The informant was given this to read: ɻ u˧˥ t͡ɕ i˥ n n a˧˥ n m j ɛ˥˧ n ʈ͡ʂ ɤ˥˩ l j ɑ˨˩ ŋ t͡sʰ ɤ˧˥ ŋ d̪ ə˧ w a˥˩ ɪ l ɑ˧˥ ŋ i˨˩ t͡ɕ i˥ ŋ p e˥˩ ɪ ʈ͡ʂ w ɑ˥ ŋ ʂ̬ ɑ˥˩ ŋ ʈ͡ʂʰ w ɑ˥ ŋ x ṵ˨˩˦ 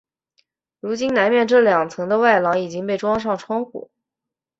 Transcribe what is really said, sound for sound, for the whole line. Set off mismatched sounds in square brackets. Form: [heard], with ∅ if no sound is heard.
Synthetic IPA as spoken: ɻ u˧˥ t͡ɕ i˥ n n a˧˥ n m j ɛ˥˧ n ʈ͡ʂ ɤ˥˩ l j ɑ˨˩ ŋ t͡sʰ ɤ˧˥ ŋ d̪ ə˧ w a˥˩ ɪ l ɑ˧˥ ŋ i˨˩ t͡ɕ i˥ ŋ p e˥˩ ɪ ʈ͡ʂ w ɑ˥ ŋ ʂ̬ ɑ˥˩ ŋ ʈ͡ʂʰ w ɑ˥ ŋ x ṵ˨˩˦